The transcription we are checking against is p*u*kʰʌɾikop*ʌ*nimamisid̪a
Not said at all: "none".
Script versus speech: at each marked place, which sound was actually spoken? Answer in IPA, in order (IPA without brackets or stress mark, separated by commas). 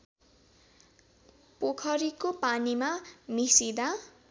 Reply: o, a